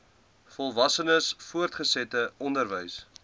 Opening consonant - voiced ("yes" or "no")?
no